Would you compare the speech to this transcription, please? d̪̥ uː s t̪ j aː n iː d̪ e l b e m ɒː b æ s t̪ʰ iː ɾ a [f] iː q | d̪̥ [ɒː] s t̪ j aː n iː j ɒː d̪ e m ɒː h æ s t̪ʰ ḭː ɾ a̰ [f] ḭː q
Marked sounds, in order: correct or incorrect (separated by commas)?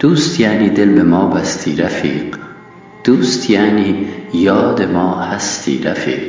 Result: correct, incorrect, correct